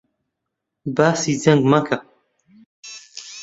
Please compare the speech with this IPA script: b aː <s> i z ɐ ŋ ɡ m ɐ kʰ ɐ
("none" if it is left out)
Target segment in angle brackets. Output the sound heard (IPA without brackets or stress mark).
s